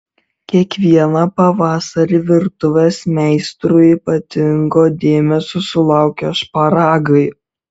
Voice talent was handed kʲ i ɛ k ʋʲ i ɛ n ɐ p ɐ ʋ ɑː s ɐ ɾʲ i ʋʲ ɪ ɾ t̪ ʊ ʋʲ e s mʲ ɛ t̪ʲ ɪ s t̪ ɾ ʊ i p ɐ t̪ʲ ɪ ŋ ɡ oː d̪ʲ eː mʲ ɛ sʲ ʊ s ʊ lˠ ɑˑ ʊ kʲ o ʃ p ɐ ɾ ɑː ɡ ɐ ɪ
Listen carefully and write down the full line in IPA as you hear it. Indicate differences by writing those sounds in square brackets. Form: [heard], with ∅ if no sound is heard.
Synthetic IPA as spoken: kʲ i ɛ k ʋʲ i ɛ n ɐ p ɐ ʋ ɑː s ɐ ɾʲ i ʋʲ ɪ ɾ t̪ ʊ ʋʲ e s mʲ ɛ [∅] ɪ s t̪ ɾ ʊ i p ɐ t̪ʲ ɪ ŋ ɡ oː d̪ʲ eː mʲ ɛ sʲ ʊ s ʊ lˠ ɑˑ ʊ kʲ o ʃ p ɐ ɾ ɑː ɡ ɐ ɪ

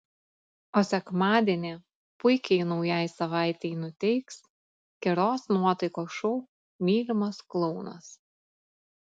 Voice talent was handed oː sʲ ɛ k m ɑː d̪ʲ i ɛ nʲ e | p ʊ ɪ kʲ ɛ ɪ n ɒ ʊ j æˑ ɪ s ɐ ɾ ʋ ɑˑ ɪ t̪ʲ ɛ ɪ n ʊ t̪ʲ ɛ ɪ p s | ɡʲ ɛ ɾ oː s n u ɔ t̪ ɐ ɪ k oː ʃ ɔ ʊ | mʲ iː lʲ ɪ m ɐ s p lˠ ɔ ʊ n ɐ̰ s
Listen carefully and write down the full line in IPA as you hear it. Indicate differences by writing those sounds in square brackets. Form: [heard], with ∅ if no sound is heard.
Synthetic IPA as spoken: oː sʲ ɛ k m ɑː d̪ʲ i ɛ nʲ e | p ʊ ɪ kʲ ɛ ɪ n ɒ ʊ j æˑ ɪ s ɐ [∅] ʋ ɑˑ ɪ t̪ʲ ɛ ɪ n ʊ t̪ʲ ɛ ɪ [k] s | [kʲ] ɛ ɾ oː s n u ɔ t̪ ɐ ɪ k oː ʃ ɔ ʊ | mʲ iː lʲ ɪ m ɐ s [k] lˠ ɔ ʊ n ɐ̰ s

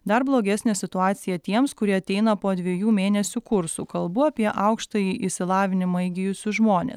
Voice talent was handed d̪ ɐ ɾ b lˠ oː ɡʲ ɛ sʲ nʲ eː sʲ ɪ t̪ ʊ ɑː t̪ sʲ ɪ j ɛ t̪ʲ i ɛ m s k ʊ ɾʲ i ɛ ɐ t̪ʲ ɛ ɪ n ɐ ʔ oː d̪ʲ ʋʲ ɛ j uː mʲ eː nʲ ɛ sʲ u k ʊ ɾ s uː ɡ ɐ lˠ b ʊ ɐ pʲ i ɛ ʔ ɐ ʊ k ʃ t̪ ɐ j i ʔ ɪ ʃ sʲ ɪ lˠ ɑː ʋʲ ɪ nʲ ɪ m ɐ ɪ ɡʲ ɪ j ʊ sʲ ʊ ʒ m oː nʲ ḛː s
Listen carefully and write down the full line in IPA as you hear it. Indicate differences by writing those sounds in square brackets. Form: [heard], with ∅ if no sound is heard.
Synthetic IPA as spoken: d̪ ɐ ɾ b lˠ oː ɡʲ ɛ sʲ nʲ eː sʲ ɪ t̪ ʊ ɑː t̪ sʲ ɪ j ɛ t̪ʲ i ɛ m s k ʊ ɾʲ i ɛ ɐ t̪ʲ ɛ ɪ n ɐ [p] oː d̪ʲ ʋʲ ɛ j uː mʲ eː nʲ ɛ sʲ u k ʊ ɾ s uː [k] ɐ lˠ b ʊ ɐ pʲ i ɛ ʔ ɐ ʊ k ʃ t̪ ɐ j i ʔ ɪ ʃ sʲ ɪ lˠ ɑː ʋʲ ɪ nʲ ɪ m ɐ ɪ ɡʲ ɪ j ʊ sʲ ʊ ʒ m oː nʲ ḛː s

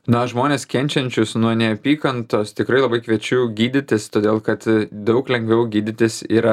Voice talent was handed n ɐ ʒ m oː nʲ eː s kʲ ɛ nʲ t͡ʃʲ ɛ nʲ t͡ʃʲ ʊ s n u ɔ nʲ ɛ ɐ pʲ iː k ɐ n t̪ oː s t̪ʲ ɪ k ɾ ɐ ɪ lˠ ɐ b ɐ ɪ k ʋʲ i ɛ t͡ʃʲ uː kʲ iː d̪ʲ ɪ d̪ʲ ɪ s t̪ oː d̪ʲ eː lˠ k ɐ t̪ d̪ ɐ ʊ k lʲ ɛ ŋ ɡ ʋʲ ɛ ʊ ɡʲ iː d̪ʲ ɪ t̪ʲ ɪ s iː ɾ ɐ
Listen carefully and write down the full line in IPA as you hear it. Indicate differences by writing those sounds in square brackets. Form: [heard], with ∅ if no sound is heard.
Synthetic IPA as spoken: n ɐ ʒ m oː nʲ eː s kʲ ɛ nʲ t͡ʃʲ ɛ nʲ t͡ʃʲ ʊ s n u ɔ nʲ ɛ ɐ pʲ iː k ɐ n t̪ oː s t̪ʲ ɪ k ɾ ɐ ɪ lˠ ɐ b ɐ ɪ k ʋʲ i ɛ t͡ʃʲ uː [ɡʲ] iː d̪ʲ ɪ [t̪ʲ] ɪ s t̪ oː d̪ʲ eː lˠ k ɐ t̪ d̪ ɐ ʊ k lʲ ɛ ŋ ɡ ʋʲ ɛ ʊ ɡʲ iː d̪ʲ ɪ t̪ʲ ɪ s iː ɾ ɐ

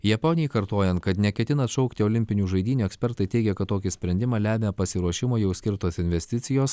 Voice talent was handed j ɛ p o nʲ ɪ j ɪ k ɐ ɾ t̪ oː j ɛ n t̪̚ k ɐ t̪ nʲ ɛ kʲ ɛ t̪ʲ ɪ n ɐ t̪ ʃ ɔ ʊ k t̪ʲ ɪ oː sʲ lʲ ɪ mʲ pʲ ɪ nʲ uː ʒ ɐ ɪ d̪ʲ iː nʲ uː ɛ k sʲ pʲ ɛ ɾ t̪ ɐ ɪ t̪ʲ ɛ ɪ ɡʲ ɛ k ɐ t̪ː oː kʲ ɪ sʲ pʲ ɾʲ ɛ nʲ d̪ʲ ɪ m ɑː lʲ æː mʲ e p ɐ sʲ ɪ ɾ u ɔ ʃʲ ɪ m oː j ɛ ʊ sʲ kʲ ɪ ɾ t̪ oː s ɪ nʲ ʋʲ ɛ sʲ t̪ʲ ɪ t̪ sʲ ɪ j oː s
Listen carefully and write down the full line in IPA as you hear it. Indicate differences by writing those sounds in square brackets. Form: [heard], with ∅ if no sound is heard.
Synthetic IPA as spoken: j ɛ p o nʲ ɪ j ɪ k ɐ ɾ t̪ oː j ɛ n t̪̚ k ɐ t̪ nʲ ɛ kʲ ɛ t̪ʲ ɪ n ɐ t̪ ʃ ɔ ʊ k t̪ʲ ɪ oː [∅] lʲ ɪ mʲ pʲ ɪ nʲ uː ʒ ɐ ɪ d̪ʲ iː nʲ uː ɛ k sʲ pʲ ɛ ɾ t̪ ɐ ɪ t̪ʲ ɛ ɪ ɡʲ ɛ k ɐ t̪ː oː kʲ ɪ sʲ pʲ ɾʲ ɛ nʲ d̪ʲ ɪ m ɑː lʲ æː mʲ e p ɐ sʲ ɪ ɾ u ɔ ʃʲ ɪ m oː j ɛ ʊ sʲ kʲ ɪ ɾ t̪ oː s ɪ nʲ ʋʲ ɛ sʲ t̪ʲ ɪ t̪ sʲ ɪ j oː s

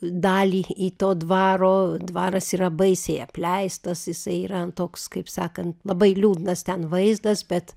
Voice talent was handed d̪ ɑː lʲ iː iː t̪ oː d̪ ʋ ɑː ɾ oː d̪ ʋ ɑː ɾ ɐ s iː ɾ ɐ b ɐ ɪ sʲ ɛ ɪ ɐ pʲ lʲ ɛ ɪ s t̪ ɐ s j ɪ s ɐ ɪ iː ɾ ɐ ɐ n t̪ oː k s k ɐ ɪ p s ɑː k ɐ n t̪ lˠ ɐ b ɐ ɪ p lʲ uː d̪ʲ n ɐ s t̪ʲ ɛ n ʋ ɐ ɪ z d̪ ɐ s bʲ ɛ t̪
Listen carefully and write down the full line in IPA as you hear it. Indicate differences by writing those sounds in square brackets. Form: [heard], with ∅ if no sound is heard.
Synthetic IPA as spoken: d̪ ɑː lʲ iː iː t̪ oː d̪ ʋ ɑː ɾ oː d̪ ʋ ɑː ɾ ɐ s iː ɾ ɐ b ɐ ɪ sʲ ɛ ɪ ɐ pʲ lʲ ɛ ɪ s t̪ ɐ s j ɪ s ɐ ɪ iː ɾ ɐ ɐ n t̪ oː k s k ɐ ɪ p s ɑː k ɐ n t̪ lˠ ɐ b ɐ ɪ [∅] lʲ uː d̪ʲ n ɐ s t̪ʲ ɛ n ʋ ɐ ɪ z d̪ ɐ s bʲ ɛ t̪

